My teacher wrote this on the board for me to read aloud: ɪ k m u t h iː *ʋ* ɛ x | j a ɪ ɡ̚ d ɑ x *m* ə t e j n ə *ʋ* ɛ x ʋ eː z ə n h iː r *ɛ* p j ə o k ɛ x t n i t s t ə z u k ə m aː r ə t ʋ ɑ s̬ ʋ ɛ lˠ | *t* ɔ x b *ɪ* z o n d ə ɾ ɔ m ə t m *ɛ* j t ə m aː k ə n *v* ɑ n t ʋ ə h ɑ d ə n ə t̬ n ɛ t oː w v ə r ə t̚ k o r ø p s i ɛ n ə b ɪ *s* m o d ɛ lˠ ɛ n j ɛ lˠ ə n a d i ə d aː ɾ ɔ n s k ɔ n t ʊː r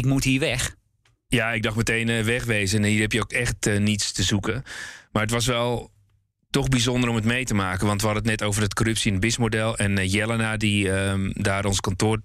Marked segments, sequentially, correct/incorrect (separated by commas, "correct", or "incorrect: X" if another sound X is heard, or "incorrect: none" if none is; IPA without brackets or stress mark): correct, correct, correct, correct, correct, incorrect: i, incorrect: e, incorrect: ʋ, correct